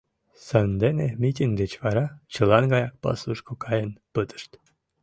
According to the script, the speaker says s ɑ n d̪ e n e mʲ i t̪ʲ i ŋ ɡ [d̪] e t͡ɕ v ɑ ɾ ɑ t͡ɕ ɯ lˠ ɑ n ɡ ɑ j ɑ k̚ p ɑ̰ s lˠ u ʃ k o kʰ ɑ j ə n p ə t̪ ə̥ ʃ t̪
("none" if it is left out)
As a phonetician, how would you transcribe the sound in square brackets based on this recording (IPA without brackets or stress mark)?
d̪